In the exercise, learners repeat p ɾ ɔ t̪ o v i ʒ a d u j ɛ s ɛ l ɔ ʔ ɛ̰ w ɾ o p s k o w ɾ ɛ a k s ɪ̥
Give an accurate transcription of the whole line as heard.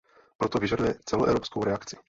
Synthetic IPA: p ɾ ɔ t̪ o v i ʒ a d u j ɛ t͡s ɛ l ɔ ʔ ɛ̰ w ɾ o p s k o w ɾ ɛ a k t͡s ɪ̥